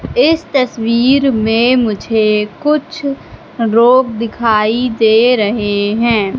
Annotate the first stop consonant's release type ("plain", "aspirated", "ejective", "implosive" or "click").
plain